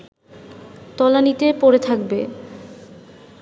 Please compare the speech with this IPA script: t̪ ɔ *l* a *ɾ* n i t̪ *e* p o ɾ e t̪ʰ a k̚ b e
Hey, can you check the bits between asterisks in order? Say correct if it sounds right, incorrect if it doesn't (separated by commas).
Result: correct, incorrect, correct